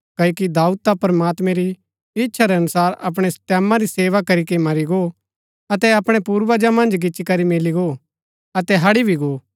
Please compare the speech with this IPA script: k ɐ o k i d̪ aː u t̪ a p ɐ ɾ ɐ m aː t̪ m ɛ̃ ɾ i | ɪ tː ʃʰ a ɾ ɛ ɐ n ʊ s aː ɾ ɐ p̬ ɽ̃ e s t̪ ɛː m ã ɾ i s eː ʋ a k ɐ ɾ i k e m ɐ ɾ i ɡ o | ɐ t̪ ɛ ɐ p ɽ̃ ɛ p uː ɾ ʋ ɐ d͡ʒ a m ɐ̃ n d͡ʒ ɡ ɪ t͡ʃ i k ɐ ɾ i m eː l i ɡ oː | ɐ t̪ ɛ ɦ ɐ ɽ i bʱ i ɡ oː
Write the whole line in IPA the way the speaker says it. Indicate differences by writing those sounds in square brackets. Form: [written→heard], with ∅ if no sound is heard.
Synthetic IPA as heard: k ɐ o k i d̪ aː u t̪ a p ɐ ɾ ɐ m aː t̪ m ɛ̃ ɾ i | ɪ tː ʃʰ a ɾ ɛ ɐ n ʊ s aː ɾ ɐ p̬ ɽ̃ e s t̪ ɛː m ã ɾ i s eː ʋ a k ɐ ɾ i k e m ɐ ɾ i ɡ o | ɐ t̪ ɛ ɐ p ɽ̃ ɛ p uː ɾ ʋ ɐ d͡ʒ a m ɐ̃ n d͡ʒ ɡ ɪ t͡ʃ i k ɐ ɾ i m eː l i ɡ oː | ɐ t̪ ɛ ɦ ɐ ɽ i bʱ i ɡ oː